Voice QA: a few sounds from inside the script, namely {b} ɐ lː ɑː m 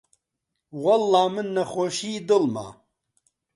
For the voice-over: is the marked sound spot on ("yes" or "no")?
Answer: no